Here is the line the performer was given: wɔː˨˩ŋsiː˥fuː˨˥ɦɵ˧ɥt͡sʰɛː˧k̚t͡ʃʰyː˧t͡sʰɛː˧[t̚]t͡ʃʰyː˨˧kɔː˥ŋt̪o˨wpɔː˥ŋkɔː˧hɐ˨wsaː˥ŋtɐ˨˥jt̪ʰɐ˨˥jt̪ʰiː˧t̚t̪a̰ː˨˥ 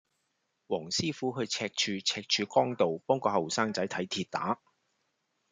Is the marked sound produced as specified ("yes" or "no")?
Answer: no